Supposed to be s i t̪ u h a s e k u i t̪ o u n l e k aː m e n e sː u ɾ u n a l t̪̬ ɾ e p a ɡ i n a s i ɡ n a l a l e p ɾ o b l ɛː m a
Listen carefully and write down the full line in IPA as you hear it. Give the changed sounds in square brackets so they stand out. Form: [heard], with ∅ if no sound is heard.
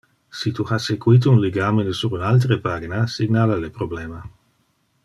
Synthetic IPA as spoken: s i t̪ u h a s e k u i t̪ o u n l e [ɡ] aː m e n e [s] u ɾ u n a l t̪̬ ɾ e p a ɡ i n a s i ɡ n a l a l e p ɾ o b l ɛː m a